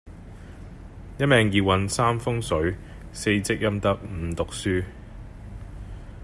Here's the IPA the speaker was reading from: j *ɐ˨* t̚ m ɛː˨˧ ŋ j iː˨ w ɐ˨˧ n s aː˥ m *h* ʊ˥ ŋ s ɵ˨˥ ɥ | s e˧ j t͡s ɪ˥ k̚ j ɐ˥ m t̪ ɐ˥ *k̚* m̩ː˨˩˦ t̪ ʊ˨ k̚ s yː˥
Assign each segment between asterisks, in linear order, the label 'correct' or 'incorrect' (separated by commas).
incorrect, incorrect, correct